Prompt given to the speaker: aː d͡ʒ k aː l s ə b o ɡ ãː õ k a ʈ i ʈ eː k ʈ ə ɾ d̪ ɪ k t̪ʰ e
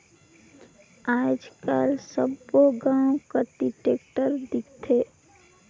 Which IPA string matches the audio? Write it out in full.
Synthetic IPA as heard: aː d͡ʒ k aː l s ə b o ɡ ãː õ k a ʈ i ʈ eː k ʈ ə ɾ d̪ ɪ k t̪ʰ e